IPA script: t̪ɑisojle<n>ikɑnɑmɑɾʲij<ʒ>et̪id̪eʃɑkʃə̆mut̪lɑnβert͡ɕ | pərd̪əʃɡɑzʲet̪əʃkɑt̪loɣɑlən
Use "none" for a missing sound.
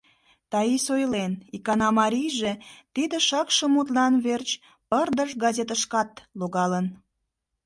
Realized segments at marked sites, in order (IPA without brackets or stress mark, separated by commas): n, ʒ